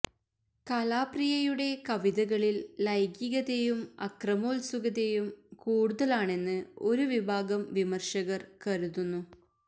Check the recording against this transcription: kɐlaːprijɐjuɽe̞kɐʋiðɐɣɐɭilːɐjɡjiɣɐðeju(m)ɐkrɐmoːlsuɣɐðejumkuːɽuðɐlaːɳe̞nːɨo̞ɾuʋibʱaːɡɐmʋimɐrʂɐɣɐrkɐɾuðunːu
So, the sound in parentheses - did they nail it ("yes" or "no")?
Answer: yes